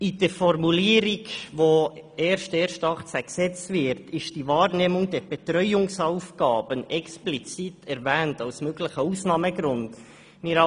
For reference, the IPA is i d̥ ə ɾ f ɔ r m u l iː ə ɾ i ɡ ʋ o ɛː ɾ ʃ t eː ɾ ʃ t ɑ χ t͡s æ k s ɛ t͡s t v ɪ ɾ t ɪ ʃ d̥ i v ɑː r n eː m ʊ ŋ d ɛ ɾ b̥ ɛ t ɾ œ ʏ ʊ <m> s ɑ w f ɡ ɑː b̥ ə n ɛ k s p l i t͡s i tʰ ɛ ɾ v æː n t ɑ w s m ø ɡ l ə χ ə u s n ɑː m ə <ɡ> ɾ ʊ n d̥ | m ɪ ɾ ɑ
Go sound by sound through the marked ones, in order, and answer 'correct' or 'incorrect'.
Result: incorrect: ŋ, correct

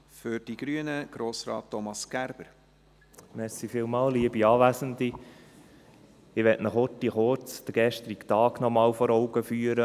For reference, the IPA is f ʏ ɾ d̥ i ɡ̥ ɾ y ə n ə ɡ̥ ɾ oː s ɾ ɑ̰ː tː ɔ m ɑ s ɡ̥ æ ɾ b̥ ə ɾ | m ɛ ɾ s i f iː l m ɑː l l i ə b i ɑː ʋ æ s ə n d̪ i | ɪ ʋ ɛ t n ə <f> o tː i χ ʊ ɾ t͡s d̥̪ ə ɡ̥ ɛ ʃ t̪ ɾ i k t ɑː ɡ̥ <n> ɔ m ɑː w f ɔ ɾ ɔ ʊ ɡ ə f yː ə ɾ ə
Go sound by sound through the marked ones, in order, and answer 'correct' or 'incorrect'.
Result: incorrect: χ, correct

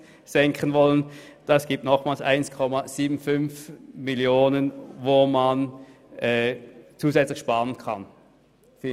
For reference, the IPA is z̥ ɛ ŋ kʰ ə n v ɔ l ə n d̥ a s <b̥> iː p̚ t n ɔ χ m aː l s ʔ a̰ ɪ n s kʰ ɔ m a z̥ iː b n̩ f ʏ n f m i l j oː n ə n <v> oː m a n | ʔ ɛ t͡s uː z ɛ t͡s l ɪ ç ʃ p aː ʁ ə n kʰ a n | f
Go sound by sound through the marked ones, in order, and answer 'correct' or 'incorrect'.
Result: incorrect: ɡ̥, correct

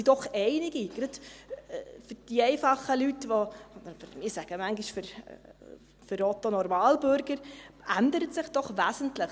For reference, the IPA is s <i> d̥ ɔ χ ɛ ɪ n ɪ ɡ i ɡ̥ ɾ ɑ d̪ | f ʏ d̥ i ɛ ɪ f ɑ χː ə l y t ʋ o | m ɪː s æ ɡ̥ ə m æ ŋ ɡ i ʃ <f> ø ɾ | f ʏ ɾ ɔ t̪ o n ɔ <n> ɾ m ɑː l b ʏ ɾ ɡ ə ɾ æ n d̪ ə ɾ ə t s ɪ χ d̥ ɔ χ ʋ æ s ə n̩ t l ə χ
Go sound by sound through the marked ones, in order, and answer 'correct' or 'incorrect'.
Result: correct, correct, incorrect: none

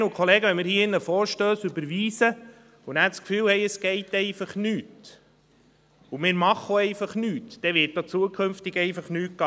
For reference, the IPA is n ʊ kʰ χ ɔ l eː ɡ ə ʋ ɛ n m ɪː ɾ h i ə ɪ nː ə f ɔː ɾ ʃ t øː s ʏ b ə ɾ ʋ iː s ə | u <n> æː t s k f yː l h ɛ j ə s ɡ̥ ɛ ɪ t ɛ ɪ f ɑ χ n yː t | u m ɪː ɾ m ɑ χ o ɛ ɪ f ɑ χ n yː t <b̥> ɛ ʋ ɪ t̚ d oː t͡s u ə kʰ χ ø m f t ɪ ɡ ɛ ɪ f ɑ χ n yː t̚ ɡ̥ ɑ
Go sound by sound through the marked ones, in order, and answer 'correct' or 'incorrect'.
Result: correct, incorrect: d̥

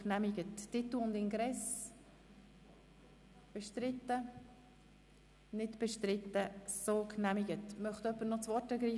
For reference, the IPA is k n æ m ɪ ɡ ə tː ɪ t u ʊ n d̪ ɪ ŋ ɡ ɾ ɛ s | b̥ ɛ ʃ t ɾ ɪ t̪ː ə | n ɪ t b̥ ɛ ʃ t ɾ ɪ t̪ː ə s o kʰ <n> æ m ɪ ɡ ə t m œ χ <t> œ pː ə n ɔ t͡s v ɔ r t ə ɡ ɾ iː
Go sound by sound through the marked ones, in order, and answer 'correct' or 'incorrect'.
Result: correct, correct

